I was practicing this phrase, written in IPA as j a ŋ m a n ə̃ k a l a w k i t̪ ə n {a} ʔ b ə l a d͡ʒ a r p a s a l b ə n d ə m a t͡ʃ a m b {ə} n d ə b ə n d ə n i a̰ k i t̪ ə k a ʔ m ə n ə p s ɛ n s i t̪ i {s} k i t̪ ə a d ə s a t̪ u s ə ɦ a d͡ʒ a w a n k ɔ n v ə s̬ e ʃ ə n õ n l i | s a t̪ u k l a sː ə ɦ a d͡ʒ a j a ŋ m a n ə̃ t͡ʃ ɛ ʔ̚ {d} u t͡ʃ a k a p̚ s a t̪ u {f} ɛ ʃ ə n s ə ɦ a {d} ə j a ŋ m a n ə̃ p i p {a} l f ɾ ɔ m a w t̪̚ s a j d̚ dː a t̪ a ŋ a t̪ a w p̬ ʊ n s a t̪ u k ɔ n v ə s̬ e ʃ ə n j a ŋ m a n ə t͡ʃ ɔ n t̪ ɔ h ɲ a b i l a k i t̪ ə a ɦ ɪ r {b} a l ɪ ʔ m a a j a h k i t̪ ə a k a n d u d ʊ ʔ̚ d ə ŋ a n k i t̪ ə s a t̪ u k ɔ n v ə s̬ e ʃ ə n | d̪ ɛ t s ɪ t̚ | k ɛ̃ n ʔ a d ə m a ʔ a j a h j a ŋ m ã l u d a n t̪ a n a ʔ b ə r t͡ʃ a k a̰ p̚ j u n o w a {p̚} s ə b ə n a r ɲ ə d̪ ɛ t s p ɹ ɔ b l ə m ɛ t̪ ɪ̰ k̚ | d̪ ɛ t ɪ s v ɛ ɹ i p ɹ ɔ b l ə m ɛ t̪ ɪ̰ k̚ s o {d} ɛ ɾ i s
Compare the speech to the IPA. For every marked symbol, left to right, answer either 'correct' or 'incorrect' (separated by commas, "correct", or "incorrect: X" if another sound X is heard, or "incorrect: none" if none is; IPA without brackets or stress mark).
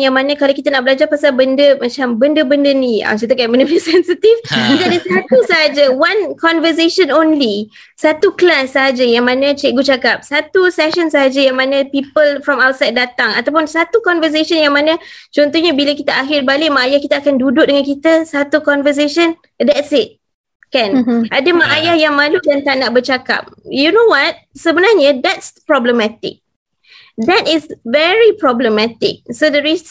correct, correct, incorrect: f, incorrect: ɡ, incorrect: s, incorrect: d͡ʒ, incorrect: ə, correct, incorrect: t̚, correct